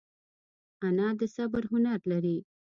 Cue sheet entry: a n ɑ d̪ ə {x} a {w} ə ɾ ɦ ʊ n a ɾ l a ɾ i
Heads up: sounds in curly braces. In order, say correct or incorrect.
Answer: incorrect: s, incorrect: b

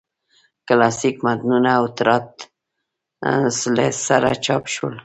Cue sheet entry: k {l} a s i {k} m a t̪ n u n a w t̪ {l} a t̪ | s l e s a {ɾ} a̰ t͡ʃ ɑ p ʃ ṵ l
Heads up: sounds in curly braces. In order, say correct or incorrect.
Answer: correct, correct, incorrect: ɾ, correct

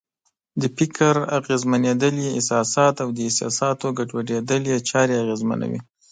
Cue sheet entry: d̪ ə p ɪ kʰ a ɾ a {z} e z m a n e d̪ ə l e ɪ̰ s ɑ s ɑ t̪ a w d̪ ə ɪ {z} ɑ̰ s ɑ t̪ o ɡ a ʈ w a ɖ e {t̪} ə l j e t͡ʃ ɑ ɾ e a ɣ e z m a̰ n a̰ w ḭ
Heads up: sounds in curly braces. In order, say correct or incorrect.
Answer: incorrect: ɣ, incorrect: s, incorrect: d̪

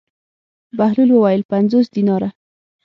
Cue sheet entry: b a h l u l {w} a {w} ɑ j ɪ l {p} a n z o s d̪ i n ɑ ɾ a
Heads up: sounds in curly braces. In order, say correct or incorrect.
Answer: correct, correct, correct

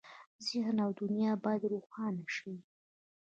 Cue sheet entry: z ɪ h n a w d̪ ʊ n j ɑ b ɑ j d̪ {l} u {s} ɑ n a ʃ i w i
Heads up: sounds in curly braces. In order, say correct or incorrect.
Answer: incorrect: ɾ, incorrect: x

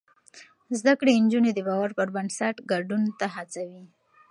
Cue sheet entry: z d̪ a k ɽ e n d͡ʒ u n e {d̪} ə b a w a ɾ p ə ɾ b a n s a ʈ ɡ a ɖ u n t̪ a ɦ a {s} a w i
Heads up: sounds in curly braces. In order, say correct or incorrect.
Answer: correct, incorrect: t͡s

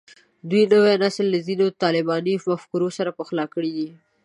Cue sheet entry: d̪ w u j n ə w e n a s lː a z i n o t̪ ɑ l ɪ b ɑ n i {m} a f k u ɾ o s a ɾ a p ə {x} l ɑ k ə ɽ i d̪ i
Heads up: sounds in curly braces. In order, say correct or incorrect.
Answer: correct, correct

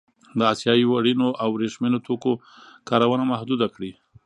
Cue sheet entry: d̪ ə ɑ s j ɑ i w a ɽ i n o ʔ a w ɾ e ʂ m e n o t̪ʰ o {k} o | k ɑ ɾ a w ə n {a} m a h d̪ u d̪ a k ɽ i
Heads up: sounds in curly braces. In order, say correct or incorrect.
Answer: correct, correct

